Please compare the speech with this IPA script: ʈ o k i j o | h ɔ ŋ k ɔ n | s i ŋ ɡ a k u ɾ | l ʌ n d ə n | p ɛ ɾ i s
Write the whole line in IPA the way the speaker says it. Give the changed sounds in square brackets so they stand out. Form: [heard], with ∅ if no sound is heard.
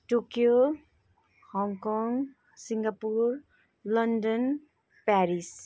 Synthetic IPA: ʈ o k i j o | h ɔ ŋ k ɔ [ŋ] | s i ŋ ɡ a [p] u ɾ | l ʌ n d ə n | p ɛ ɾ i s

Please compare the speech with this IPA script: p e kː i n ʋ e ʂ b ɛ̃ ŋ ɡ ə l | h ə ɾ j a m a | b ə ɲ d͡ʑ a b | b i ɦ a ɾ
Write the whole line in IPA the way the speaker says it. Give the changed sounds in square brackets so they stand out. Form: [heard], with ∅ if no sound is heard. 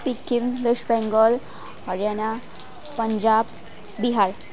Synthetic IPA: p [i] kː i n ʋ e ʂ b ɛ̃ ŋ ɡ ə l | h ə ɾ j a [n] a | [p] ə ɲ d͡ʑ a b | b i ɦ a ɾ

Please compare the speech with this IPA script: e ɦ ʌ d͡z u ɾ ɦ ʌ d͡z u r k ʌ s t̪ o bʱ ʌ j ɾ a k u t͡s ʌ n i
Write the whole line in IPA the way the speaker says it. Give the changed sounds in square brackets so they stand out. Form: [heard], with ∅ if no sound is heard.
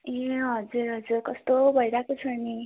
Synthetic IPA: e ɦ ʌ d͡z u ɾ ɦ ʌ d͡z u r k ʌ s t̪ o bʱ ʌ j ɾ a k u [t͡sʰ] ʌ n i

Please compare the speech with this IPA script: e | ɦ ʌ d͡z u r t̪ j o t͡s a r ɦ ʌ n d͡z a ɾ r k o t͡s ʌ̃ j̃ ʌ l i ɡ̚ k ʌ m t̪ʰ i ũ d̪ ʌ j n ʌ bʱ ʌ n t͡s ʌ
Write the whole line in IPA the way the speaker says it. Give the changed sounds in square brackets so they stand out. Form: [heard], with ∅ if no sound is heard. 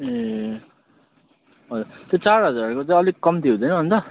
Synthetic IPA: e | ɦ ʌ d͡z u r t̪ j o t͡s a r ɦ ʌ [∅] d͡z a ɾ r k o t͡s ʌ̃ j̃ ʌ l i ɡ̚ k ʌ m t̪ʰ i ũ d̪ ʌ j n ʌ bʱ ʌ n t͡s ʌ

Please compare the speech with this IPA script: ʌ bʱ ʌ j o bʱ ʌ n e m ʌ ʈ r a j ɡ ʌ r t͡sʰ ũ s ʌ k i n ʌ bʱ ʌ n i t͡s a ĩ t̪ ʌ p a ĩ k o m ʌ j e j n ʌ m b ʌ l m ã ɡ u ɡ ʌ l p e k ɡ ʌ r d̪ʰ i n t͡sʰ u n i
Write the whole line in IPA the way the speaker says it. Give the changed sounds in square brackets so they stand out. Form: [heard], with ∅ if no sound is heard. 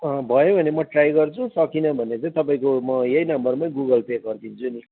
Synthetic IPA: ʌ bʱ ʌ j o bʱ ʌ n e m ʌ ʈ r a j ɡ ʌ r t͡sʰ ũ s ʌ k i n ʌ bʱ ʌ n [e] t͡s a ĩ t̪ ʌ p a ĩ k o m ʌ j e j n ʌ m b ʌ [r] m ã ɡ u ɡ ʌ l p e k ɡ ʌ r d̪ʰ i n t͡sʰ u n i

